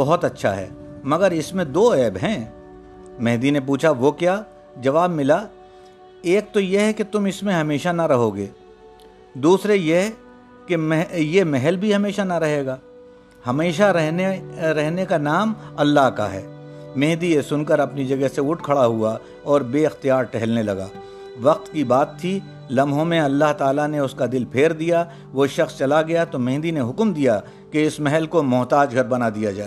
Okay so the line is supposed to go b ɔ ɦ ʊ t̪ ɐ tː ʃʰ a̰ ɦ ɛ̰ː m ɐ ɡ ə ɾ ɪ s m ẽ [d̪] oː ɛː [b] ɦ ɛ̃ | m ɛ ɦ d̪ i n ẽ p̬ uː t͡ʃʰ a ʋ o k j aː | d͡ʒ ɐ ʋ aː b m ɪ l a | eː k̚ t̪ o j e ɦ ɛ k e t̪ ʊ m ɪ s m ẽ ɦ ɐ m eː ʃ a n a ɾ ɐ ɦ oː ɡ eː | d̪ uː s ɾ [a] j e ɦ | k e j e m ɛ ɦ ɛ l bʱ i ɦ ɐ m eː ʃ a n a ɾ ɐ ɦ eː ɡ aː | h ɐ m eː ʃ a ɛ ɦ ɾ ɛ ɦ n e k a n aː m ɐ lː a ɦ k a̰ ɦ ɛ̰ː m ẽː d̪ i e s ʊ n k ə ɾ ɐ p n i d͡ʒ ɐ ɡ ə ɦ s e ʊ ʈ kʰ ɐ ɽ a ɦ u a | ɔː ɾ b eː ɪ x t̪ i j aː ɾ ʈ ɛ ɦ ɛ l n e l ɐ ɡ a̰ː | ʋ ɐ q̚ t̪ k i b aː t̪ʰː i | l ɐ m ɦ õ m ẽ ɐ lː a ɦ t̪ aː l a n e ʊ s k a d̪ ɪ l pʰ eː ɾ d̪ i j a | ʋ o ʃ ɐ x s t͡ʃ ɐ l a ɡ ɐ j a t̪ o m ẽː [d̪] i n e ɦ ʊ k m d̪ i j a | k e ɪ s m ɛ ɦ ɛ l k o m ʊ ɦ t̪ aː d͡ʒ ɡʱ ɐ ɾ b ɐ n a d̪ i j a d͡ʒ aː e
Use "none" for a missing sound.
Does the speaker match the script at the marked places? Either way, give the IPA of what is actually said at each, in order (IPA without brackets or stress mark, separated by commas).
d̪, b, e, d̪